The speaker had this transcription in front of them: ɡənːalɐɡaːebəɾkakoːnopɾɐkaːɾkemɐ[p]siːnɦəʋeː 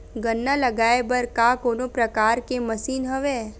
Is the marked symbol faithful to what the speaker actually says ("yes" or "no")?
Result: no